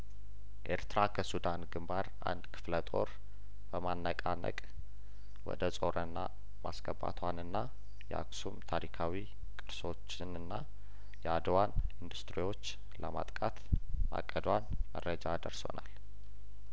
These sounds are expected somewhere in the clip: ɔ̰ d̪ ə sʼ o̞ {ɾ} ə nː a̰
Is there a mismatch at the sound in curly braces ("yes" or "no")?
no